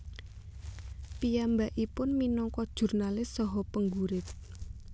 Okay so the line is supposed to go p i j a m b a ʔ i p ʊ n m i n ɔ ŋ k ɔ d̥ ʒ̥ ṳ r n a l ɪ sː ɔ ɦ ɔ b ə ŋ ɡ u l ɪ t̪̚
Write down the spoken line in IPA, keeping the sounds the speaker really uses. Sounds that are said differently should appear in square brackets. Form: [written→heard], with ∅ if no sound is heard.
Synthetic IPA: p i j a m b a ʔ i p ʊ n m i n ɔ ŋ k ɔ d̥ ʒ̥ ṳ r n a l ɪ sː ɔ ɦ ɔ [b→p] ə ŋ ɡ u [l→ɾ] ɪ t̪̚